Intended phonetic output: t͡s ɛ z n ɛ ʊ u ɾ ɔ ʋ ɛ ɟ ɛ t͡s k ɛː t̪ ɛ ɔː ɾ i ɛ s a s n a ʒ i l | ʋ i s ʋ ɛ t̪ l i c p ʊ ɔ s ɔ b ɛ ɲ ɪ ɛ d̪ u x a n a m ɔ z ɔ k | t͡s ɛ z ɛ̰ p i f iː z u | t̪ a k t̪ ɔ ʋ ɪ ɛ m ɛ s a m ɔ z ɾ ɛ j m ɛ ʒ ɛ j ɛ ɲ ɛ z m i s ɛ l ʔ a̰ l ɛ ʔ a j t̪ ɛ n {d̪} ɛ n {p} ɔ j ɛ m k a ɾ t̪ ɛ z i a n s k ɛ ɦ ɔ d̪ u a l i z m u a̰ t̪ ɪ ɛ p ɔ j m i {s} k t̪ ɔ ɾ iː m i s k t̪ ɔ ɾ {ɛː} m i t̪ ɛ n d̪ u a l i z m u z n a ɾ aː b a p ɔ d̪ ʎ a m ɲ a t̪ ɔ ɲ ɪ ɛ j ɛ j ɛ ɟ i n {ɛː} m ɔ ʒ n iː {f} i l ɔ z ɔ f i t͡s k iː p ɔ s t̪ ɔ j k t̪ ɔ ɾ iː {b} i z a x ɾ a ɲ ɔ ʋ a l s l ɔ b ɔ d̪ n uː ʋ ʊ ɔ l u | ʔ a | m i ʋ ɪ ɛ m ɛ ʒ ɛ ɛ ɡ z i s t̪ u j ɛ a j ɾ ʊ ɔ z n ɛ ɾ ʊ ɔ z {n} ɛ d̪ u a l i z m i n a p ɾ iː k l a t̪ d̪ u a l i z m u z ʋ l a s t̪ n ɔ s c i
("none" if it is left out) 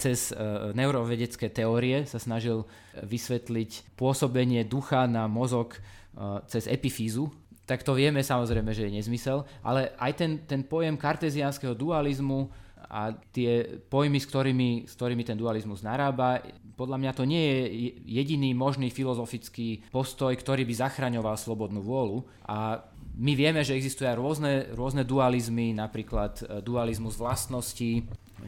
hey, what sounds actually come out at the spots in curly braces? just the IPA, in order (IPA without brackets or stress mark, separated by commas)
t̪, p, s, iː, iː, f, b, n